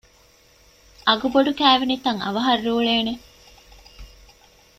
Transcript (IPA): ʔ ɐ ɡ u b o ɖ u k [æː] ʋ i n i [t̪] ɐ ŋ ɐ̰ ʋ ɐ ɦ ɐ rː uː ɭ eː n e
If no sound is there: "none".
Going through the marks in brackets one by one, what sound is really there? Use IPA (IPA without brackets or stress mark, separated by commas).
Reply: æː, t̪